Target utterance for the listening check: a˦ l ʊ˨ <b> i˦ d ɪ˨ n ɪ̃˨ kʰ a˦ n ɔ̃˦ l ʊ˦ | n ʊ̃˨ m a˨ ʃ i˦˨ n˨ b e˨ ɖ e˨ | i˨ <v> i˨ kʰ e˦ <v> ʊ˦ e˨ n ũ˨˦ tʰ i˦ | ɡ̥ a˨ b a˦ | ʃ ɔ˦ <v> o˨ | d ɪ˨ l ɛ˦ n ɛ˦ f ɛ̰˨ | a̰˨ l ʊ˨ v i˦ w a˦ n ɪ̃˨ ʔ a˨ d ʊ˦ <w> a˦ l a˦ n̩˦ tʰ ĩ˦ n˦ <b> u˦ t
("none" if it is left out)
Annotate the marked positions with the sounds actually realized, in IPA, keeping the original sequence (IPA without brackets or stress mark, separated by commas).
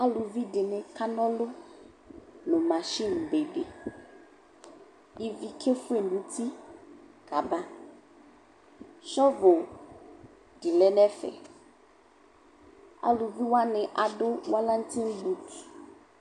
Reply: v, v, f, v, w, b